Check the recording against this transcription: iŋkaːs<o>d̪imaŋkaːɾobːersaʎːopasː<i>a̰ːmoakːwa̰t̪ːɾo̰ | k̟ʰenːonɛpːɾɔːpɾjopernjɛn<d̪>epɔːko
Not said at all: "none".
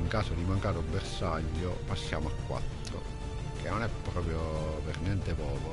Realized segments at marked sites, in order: o, j, t̪

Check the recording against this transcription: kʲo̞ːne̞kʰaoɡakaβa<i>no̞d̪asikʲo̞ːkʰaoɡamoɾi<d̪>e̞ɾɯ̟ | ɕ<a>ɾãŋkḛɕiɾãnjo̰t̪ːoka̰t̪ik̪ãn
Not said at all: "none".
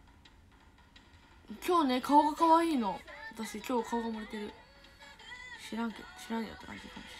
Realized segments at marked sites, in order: iː, t̪, i

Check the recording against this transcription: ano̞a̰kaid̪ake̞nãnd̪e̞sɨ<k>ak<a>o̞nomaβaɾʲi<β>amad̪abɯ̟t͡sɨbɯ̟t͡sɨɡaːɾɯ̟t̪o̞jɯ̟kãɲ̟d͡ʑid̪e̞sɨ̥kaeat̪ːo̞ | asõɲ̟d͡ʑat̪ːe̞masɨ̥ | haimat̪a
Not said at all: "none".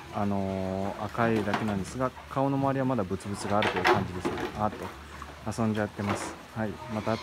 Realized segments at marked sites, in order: ɡ, a, β

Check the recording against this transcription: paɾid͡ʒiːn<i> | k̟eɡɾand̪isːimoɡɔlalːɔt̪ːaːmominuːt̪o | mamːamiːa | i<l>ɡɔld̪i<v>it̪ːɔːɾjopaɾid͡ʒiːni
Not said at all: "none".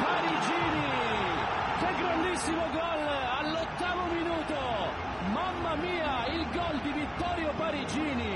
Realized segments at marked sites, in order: i, l, v

